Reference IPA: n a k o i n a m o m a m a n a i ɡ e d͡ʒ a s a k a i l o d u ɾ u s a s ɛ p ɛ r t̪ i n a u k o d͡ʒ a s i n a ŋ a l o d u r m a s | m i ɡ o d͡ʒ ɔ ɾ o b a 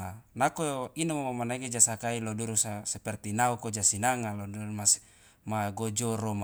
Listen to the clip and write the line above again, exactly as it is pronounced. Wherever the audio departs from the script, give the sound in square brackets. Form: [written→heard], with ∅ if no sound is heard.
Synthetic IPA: n a k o i n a m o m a m a n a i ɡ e d͡ʒ a s a k a i l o d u ɾ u s a s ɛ p ɛ r t̪ i n a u k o d͡ʒ a s i n a ŋ a l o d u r m a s | m [i→a] ɡ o d͡ʒ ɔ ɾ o [b→m] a